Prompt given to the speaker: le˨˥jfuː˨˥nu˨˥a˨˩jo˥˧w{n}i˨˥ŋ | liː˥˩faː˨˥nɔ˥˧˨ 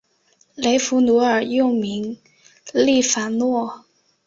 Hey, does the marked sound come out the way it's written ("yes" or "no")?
no